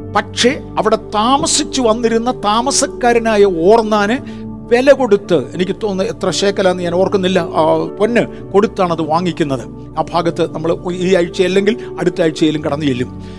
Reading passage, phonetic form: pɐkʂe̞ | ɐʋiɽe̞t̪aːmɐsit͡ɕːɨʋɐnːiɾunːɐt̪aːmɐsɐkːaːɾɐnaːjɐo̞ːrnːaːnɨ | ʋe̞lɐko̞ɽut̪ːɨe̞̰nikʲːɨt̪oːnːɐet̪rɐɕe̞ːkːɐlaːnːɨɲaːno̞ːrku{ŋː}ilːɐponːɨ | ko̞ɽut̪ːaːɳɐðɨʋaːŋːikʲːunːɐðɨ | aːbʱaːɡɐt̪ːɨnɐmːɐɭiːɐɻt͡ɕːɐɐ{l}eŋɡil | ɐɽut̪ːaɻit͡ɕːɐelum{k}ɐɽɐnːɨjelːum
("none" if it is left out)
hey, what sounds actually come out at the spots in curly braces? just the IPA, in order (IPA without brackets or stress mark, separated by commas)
nː, lː, k